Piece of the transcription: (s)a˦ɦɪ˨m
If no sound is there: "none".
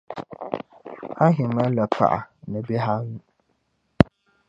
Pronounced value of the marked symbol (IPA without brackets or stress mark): h